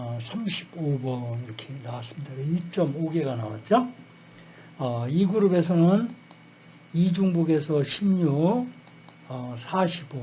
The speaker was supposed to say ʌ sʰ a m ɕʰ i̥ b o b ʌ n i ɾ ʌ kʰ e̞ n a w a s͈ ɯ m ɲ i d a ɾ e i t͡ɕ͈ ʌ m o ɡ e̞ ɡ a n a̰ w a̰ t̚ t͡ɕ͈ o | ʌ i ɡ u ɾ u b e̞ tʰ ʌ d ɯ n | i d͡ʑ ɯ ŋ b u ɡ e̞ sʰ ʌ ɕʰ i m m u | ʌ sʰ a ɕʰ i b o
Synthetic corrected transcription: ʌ sʰ a m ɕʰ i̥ b o b ʌ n i ɾ ʌ kʰ e̞ n a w a s͈ ɯ m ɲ i d a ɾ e i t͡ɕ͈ ʌ m o ɡ e̞ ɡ a n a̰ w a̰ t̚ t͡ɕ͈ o | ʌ i ɡ u ɾ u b e̞ sʰ ʌ n ɯ n | i d͡ʑ u ŋ b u ɡ e̞ sʰ ʌ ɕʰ i m ɲ u | ʌ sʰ a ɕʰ i b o